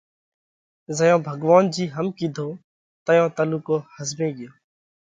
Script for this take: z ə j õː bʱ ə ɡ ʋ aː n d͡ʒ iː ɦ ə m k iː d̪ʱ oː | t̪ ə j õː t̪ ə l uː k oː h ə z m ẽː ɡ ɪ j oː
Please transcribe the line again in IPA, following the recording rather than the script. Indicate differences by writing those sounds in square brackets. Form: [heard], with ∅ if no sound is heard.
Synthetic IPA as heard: z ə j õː bʱ ə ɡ ʋ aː n d͡ʒ iː ɦ ə m k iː d̪ʱ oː | t̪ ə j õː t̪ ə l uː k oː h ə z m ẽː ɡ ɪ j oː

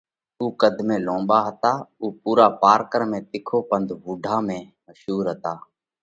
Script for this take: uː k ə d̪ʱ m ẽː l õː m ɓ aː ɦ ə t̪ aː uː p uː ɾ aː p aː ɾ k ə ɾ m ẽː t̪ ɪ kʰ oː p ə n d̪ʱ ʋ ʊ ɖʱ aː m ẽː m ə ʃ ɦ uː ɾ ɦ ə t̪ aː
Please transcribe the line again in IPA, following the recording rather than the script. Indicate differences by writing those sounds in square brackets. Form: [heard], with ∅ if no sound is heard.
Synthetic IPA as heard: uː k ə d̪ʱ m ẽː l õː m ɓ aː ɦ ə t̪ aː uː p uː ɾ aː p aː ɾ k ə ɾ m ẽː t̪ ɪ kʰ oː p ə n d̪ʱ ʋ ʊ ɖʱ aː m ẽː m ə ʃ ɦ uː ɾ ɦ ə t̪ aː

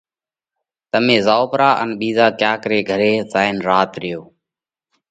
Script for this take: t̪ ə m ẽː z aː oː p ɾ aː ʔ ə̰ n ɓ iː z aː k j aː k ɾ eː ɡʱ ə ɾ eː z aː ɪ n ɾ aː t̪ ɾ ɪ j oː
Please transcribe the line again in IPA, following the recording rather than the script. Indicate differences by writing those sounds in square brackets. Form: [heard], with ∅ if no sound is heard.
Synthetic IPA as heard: t̪ ə m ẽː z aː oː p ɾ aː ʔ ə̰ n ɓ iː z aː k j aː k ɾ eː ɡʱ ə ɾ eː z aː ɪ n ɾ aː t̪ ɾ ɪ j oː

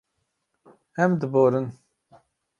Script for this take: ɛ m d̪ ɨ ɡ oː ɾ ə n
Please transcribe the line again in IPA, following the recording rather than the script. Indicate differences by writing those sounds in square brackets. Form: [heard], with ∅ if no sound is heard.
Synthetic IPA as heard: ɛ m d̪ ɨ [b] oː ɾ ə n

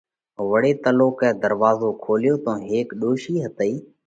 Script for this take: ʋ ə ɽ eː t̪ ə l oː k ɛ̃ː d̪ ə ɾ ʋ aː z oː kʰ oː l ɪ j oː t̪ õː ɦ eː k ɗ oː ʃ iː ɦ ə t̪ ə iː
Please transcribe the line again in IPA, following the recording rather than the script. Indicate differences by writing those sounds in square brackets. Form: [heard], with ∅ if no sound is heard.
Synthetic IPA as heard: ʋ ə ɽ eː t̪ ə l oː k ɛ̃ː d̪ ə ɾ ʋ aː z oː kʰ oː l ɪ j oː t̪ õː ɦ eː k ɗ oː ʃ iː ɦ ə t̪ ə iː

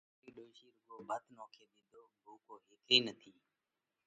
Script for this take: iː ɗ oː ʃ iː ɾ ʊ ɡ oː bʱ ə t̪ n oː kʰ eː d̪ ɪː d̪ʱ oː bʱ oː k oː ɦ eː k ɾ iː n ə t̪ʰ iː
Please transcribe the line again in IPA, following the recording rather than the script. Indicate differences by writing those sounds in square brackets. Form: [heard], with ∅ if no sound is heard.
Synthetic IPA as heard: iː ɗ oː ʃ iː ɾ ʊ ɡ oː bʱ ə t̪ n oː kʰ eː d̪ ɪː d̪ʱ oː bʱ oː k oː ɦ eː k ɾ iː n ə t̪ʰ iː

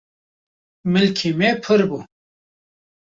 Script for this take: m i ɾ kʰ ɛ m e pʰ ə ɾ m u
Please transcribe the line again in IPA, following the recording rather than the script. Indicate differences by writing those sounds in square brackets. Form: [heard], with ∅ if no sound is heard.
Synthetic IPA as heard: m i [l] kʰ [i] m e pʰ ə ɾ [b] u

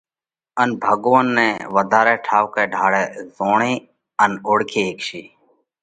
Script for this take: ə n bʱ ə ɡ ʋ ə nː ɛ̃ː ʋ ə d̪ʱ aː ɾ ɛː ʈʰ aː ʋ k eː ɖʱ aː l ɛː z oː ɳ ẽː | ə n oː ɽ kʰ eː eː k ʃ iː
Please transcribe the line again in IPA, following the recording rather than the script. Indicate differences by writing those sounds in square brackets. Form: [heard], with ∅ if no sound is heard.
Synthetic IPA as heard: ə n bʱ ə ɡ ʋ ə nː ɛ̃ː ʋ ə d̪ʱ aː ɾ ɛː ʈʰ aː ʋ k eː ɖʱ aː [ɽ] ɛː z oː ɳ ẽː | ə n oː ɽ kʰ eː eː k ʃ iː

